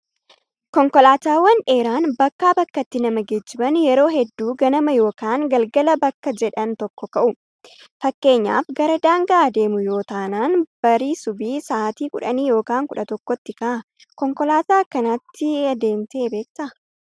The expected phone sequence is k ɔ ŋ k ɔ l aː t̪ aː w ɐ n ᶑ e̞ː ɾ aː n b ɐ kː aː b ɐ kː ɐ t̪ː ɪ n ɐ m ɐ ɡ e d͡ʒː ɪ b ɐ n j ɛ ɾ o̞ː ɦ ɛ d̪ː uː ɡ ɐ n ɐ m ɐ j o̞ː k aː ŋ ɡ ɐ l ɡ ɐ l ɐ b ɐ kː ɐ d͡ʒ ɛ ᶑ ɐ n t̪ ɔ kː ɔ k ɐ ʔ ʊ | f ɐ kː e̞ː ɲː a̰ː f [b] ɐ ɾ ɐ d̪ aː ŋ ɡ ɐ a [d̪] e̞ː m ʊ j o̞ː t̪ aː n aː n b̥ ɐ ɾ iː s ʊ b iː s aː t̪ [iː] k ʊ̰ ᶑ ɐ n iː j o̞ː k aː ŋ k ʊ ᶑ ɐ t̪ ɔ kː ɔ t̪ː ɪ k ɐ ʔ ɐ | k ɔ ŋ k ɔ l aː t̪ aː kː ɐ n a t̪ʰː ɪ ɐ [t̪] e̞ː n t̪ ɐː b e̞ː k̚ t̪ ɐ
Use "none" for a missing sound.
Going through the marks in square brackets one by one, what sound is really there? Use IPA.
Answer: ɡ, d̪, iː, d̪

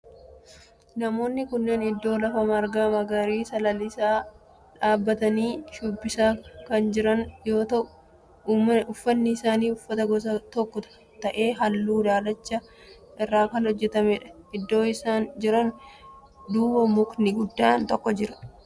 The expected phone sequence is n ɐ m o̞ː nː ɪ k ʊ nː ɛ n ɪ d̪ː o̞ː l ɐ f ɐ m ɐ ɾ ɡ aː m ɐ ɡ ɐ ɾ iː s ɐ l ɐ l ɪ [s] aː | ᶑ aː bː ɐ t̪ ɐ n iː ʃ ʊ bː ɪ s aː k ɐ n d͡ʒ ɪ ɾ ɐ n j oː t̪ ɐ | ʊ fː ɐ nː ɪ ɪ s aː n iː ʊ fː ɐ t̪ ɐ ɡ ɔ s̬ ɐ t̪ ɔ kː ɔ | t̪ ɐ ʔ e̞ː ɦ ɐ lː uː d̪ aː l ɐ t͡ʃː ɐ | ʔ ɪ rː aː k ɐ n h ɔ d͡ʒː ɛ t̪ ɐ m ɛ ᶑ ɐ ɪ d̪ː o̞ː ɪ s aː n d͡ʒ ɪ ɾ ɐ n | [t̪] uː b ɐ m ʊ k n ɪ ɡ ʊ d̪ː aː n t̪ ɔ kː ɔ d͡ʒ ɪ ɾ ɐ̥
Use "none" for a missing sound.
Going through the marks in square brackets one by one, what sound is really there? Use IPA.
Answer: s, d̪

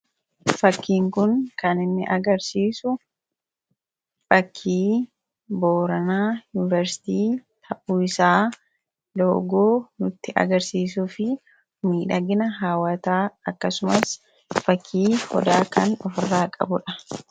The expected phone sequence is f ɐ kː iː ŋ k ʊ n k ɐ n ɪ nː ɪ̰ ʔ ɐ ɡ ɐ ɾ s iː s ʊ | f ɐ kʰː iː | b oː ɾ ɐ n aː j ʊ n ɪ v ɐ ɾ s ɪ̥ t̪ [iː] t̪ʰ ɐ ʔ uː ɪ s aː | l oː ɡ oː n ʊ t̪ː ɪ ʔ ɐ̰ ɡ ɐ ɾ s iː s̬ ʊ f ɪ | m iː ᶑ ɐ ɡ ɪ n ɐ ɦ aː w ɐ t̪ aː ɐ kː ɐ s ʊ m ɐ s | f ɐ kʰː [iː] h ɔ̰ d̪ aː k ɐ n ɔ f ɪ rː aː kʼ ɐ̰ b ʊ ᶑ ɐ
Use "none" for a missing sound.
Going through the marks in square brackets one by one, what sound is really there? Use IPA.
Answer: iː, iː

